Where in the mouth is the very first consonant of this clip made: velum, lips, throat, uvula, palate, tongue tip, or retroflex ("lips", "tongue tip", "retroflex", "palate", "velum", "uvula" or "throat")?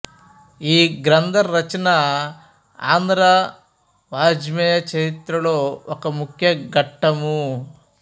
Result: velum